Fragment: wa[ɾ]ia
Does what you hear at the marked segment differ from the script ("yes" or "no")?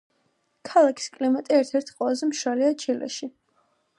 yes